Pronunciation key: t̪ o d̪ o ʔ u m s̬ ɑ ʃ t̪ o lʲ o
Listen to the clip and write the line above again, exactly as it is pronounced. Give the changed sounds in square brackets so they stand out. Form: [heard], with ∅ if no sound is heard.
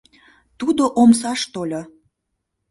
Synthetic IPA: t̪ [u] d̪ o ʔ [o] m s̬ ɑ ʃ t̪ o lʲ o

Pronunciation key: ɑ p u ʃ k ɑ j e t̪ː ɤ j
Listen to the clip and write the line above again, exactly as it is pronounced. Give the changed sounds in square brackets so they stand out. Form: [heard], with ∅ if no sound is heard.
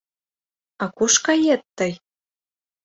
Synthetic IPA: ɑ [k] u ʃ k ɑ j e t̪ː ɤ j

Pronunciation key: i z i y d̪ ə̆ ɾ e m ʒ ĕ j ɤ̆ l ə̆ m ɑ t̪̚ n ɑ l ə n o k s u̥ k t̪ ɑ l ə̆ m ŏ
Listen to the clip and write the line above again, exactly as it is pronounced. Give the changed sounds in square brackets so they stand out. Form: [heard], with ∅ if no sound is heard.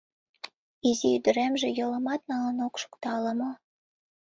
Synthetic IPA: i z i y d̪ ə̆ ɾ e m ʒ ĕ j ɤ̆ l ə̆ m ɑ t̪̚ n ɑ l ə n o k [ʃ] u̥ k t̪ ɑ l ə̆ m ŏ

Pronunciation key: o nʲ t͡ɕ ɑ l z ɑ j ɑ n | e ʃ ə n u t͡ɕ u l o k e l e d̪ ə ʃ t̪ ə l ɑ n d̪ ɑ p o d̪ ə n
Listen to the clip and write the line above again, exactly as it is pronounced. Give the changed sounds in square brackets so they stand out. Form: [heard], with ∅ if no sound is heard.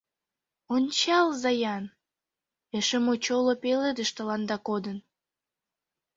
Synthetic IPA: o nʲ t͡ɕ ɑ l z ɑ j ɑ n | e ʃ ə [m] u t͡ɕ [o] l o [p] e l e d̪ ə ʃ t̪ ə l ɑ n d̪ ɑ [k] o d̪ ə n

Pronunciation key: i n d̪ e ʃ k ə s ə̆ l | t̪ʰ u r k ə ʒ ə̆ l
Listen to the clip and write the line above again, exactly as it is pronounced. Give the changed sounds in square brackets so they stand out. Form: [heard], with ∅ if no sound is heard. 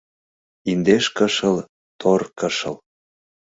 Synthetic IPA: i n d̪ e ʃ k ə [ʃ] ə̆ l | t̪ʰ [o] r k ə [ʃ] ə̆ l

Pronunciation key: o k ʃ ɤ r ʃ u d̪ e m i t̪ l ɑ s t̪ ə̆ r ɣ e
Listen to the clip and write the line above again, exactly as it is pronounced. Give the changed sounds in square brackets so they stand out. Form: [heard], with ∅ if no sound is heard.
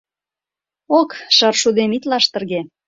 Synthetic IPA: o k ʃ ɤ r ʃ u d̪ e m i t̪ l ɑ [ʃ] t̪ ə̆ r ɣ e

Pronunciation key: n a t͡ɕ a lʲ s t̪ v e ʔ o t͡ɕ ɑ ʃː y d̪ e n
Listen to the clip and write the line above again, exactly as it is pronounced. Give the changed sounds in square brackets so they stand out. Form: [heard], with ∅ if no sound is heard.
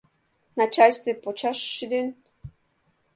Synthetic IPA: n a t͡ɕ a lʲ s t̪ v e [p] o t͡ɕ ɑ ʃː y d̪ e n

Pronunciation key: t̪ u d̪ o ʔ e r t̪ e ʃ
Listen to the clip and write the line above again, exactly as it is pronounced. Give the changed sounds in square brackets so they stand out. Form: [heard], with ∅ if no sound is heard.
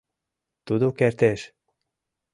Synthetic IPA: t̪ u d̪ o [k] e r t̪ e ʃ

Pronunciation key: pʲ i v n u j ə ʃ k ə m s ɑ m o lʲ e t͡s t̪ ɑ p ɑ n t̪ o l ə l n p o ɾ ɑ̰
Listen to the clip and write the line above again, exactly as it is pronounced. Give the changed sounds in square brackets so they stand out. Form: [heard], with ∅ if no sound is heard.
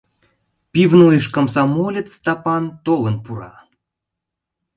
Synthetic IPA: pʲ i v n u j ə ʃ k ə m s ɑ m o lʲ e t͡s t̪ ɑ p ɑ n t̪ o l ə [∅] n p [u] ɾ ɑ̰

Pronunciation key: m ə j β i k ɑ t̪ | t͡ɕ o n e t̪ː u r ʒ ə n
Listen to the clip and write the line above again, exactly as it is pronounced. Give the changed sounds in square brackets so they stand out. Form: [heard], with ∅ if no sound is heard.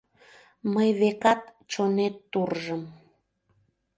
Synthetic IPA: m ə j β [e] k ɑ t̪ | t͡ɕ o n e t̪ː u r ʒ ə [m]

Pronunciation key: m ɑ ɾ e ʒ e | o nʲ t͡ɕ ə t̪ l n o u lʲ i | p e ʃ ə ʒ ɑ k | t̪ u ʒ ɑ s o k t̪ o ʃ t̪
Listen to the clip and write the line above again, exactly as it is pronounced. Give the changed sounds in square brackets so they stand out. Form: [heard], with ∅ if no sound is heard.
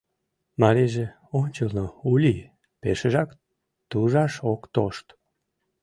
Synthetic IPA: m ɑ ɾ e ʒ e | o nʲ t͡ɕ ə [∅] l n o u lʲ i | p e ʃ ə ʒ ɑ k | t̪ u ʒ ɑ [ʃ] o k t̪ o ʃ t̪

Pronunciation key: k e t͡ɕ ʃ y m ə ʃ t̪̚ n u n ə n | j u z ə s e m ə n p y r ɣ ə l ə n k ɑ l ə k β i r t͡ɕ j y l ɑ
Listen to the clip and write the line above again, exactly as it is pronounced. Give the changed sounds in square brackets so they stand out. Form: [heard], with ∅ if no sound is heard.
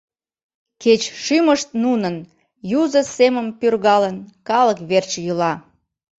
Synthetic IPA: k e t͡ɕ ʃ y m ə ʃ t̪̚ n u n ə n | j u z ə s e m ə [m] p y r ɣ [ɑ] l ə n k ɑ l ə k β [e] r t͡ɕ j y l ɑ

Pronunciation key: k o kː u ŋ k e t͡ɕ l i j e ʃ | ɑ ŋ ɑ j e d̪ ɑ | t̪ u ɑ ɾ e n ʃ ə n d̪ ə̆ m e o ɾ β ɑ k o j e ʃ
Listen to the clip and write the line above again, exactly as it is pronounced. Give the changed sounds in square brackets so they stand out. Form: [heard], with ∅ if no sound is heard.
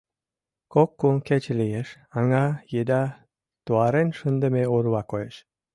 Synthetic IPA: k o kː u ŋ k e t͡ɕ l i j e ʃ | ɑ ŋ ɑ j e d̪ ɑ | t̪ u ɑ ɾ e n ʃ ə n d̪ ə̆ m e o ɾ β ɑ k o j e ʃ

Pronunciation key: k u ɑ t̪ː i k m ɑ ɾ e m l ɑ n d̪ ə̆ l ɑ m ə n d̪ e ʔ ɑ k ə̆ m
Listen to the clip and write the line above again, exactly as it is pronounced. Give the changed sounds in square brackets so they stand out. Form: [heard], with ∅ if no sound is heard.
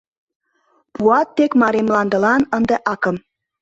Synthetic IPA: [p] u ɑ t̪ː [e] k m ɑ ɾ e m l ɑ n d̪ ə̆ l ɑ [n] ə n d̪ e ʔ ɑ k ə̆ m

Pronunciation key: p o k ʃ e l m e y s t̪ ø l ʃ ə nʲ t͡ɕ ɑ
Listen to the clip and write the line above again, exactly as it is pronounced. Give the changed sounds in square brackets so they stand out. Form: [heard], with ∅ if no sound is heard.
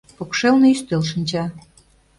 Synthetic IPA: p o k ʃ e l [n] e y s t̪ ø l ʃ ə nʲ t͡ɕ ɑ

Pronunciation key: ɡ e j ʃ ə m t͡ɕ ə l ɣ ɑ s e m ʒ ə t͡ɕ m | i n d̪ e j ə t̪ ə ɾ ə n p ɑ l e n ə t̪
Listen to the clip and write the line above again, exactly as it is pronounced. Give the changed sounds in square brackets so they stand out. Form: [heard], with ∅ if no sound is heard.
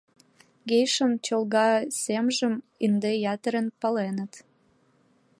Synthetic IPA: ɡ e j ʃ ə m t͡ɕ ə l ɣ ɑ s e m ʒ ə [∅] m | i n d̪ e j [ɑ] t̪ ə ɾ ə n p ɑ l e n ə t̪

